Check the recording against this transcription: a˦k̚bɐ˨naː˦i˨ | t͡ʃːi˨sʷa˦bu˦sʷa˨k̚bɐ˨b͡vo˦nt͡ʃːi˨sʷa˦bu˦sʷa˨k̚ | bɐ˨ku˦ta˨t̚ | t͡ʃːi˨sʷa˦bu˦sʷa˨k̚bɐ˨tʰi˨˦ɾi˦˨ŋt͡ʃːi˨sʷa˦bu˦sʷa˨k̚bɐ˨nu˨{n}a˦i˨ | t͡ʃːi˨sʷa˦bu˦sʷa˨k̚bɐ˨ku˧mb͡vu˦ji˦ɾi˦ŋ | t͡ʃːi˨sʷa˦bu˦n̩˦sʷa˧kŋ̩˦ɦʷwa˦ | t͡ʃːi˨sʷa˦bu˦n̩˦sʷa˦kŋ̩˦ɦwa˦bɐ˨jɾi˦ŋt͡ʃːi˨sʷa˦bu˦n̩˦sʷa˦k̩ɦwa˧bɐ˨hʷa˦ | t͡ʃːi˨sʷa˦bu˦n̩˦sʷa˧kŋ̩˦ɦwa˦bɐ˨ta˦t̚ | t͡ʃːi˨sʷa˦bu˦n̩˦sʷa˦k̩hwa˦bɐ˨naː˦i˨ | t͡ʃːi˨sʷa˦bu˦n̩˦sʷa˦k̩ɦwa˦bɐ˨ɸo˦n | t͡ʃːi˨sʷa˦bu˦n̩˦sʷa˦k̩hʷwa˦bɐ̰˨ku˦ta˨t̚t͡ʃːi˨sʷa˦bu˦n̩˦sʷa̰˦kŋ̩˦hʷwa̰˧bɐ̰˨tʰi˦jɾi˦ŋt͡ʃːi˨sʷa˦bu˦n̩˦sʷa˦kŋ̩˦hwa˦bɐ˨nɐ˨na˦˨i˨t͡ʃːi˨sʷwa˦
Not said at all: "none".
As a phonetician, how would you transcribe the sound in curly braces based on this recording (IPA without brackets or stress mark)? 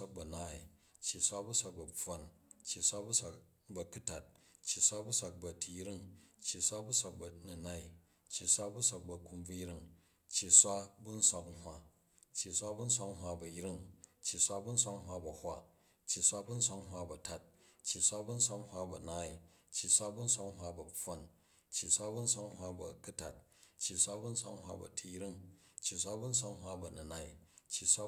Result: n